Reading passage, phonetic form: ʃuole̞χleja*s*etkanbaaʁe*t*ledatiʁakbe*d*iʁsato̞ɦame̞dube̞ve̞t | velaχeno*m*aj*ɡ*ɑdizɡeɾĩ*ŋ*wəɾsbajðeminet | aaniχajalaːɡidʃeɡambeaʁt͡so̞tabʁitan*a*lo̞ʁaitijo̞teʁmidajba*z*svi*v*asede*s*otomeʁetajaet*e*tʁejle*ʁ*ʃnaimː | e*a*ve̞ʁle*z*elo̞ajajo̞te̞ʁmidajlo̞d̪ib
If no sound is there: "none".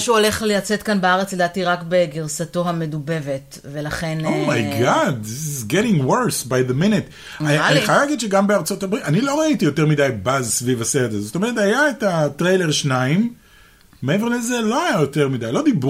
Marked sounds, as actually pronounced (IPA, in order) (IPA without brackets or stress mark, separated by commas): t͡s, t͡s, ɡ, m, ɡ, ŋ, i, z, v, z, a, ʁ, e, z